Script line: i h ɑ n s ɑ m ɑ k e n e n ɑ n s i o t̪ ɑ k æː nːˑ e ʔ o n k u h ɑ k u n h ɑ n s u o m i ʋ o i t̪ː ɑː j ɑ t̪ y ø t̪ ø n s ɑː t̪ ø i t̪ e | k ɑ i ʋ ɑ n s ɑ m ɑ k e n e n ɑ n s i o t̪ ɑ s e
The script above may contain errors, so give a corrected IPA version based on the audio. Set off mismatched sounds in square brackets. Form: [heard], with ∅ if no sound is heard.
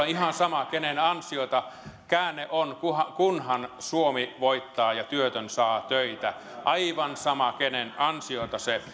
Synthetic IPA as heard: i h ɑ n s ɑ m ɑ k e n e n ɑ n s i o t̪ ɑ k æː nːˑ e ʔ o n k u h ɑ k u n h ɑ n s u o m i ʋ o i t̪ː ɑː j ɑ t̪ y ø t̪ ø n s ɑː t̪ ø i t̪ [æ] | [ʔ] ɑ i ʋ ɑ n s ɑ m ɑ k e n e n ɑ n s i o t̪ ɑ s e

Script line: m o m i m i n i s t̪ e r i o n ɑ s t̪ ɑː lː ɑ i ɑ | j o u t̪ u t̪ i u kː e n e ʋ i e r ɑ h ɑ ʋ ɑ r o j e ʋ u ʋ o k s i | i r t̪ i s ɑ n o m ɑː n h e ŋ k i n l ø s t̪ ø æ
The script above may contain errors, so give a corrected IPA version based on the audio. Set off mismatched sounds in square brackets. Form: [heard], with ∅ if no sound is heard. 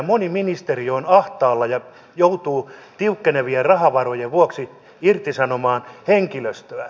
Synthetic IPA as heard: m o [n] i m i n i s t̪ e r i o n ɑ [h] t̪ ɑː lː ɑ [j] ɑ | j o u t̪ [uː] t̪ i u kː e n e ʋ i e r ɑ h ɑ ʋ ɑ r o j e ʋ u [∅] o k s i | i r t̪ i s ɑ n o m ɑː n h e ŋ k i [∅] l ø s t̪ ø æ

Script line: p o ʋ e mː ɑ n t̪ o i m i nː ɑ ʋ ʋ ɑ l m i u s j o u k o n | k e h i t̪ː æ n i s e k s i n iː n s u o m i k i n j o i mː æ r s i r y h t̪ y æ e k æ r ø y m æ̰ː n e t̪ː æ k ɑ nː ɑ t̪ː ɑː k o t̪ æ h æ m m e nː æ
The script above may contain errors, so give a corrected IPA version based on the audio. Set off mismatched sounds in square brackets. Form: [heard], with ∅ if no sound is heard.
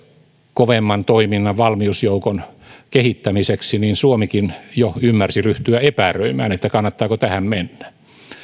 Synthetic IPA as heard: [k] o ʋ e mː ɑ n t̪ o i m i nː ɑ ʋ ʋ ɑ l m i u s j o u k o n | k e h i t̪ː æ [m] i s e k s i n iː n s u o m i k i n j o [y] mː æ r s i r y h t̪ y æ e [p] æ r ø [i] m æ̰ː n e t̪ː æ k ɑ nː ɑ t̪ː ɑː k o t̪ æ h æ m m e nː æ

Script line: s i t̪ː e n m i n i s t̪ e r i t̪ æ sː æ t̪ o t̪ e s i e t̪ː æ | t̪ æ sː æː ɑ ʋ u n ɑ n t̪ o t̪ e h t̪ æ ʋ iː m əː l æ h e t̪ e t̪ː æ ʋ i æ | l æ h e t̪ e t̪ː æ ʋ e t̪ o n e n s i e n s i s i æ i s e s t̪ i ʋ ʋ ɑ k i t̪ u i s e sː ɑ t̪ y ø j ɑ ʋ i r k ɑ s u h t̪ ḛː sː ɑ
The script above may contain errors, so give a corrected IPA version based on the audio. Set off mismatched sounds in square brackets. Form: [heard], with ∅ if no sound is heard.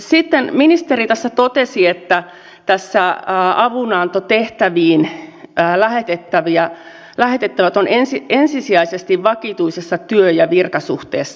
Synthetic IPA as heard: s i t̪ː e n m i n i s t̪ e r i t̪ æ sː æ t̪ o t̪ e s i e t̪ː æ | t̪ æ sː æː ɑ ʋ u n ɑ n t̪ o t̪ e h t̪ æ ʋ iː [n] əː l æ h e t̪ e t̪ː æ ʋ i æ | l æ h e t̪ e t̪ː æ ʋ [æ] t̪ o n e n s i e n s i s i æ i s e s t̪ i ʋ ʋ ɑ k i t̪ u i s e sː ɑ t̪ y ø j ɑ ʋ i r k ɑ s u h t̪ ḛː sː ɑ

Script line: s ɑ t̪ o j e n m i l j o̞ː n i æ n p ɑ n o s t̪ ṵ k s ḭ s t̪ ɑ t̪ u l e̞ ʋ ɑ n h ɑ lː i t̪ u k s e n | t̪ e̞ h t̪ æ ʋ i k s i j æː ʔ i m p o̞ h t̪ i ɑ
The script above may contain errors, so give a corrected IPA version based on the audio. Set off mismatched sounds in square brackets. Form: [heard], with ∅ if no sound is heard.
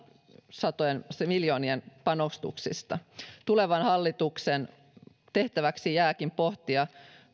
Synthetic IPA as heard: s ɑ t̪ o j e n m i l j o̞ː n i [e] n p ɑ n o s t̪ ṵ k s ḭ s t̪ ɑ t̪ u l e̞ ʋ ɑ n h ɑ lː i t̪ u k s e n | t̪ e̞ h t̪ æ ʋ [æ] k s i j æː [k] i m p o̞ h t̪ i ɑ

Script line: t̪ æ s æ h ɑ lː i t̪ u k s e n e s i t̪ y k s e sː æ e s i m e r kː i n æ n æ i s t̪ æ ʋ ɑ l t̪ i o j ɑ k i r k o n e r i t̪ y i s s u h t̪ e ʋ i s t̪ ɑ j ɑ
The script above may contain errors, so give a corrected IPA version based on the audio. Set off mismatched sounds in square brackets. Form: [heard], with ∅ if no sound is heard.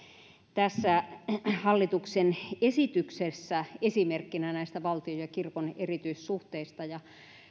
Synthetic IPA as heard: t̪ æ [sː] æ h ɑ lː i t̪ u k s e n e s i t̪ y k s e sː æ e s i m e r kː i n æ n æ i s t̪ æ ʋ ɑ l t̪ i o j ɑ k i r k o n e r i t̪ y i s s u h t̪ e [∅] i s t̪ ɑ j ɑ

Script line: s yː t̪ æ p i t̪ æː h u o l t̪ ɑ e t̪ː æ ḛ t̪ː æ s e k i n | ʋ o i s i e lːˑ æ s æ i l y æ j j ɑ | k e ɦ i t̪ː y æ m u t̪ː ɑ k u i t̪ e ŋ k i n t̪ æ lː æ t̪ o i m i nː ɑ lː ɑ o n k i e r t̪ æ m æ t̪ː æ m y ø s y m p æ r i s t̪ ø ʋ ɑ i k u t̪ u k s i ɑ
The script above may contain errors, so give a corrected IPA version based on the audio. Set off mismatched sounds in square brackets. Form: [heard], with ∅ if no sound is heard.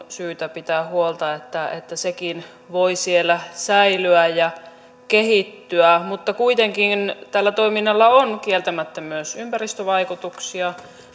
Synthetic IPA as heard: s yː t̪ æ p i t̪ æː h u o l t̪ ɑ e t̪ː æ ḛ t̪ː æ s e k i n | ʋ o i s i e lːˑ æ s æ i l y æ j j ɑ | k e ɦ i t̪ː y æ m u t̪ː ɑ k u i t̪ e ŋ k i n t̪ æ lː æ t̪ o i m i nː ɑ lː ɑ o n k i e [l] t̪ æ m æ t̪ː æ m y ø s y m p æ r i s t̪ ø ʋ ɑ i k u t̪ u k s i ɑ

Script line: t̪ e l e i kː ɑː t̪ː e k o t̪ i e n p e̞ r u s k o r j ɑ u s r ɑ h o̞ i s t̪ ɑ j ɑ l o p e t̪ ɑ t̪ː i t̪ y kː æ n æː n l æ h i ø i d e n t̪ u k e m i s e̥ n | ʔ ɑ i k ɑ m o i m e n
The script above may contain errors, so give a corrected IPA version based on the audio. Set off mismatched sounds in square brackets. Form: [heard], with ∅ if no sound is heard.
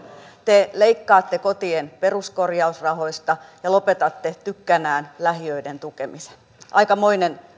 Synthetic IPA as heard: t̪ e l e i kː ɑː t̪ː e k o t̪ i e n p e̞ r u s k o r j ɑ u s r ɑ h o̞ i s t̪ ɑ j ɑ l o p e t̪ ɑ t̪ː [e] t̪ y kː æ n æː n l æ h i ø i d e n t̪ u k e m i s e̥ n | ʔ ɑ i k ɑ m o i [n] e n

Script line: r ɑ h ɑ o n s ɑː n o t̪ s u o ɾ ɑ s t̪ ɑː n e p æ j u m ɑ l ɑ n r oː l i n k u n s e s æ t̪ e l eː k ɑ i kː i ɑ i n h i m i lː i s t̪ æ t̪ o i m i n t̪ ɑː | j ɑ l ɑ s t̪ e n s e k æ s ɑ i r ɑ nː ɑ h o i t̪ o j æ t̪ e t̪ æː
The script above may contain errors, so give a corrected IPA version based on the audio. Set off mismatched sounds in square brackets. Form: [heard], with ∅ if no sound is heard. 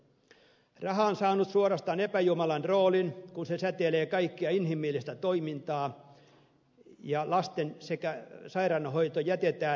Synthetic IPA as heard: r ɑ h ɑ o n s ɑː n [u] t̪ s u o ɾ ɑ s t̪ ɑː n e p æ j u m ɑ l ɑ n r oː l i n k u n s e s æ t̪ e l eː k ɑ i kː i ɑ i n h i m i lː i s t̪ æ t̪ o i m i n t̪ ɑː | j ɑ l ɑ s t̪ e n s e k æ s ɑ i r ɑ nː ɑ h o i t̪ o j æ t̪ e t̪ æː

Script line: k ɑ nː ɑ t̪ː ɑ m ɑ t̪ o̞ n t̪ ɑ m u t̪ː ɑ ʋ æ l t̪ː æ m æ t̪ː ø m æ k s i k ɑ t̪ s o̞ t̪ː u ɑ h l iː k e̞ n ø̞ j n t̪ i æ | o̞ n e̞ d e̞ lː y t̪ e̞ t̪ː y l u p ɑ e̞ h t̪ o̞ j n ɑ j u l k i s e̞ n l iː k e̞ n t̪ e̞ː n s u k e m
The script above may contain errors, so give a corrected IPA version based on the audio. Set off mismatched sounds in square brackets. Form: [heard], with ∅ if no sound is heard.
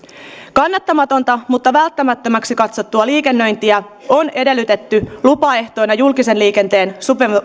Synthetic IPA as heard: k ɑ nː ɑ t̪ː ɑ m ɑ t̪ o̞ n t̪ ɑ m u t̪ː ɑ ʋ æ l t̪ː æ m æ t̪ː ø m æ k s i k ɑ t̪ s o̞ t̪ː u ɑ [∅] l iː k e̞ [nː] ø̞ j n t̪ i æ | o̞ n e̞ d e̞ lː y t̪ e̞ t̪ː y l u p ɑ e̞ h t̪ o̞ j n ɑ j u l k i s e̞ n l iː k e̞ n t̪ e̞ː n s u [p] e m

